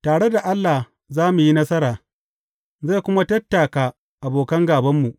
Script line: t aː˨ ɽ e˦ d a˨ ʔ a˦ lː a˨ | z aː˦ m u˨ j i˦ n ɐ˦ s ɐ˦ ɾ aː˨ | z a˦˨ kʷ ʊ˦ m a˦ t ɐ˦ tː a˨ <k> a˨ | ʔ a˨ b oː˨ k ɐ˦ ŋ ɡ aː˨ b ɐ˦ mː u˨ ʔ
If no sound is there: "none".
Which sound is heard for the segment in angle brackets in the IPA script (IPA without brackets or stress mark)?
k